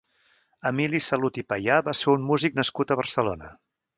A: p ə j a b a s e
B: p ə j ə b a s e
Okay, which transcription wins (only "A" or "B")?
A